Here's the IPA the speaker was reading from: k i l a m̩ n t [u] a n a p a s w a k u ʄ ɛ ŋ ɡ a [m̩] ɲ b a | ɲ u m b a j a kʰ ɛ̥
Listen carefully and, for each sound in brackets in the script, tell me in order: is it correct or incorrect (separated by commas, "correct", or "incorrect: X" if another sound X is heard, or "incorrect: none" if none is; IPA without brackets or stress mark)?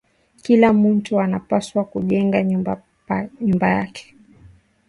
correct, incorrect: none